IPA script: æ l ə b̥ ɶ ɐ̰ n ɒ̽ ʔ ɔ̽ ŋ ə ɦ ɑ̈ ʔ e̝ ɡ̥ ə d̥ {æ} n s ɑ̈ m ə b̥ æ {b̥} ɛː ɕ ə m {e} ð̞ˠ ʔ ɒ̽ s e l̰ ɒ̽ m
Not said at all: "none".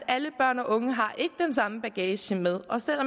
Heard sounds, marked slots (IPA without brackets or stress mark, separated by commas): e, ɡ̥, e